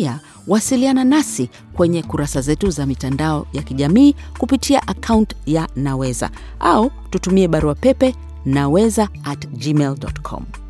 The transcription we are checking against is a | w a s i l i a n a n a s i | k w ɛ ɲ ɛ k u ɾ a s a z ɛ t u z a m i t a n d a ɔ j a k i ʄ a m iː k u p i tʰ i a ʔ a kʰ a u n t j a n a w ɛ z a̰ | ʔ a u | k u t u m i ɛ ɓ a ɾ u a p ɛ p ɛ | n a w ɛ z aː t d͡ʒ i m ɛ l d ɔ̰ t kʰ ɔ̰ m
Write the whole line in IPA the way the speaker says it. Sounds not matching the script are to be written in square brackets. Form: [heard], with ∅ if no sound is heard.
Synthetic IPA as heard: a | w a s i l i a n a n a s i | k w ɛ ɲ ɛ k u ɾ a s a z ɛ t u z a m i t a n d a ɔ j a k i ʄ a m iː k u p i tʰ i a ʔ a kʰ a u n t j a n a w ɛ z a̰ | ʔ a u | [t] u t u m i ɛ ɓ a ɾ u a p ɛ p ɛ | n a w ɛ z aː t d͡ʒ i m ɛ l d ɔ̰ t kʰ ɔ̰ m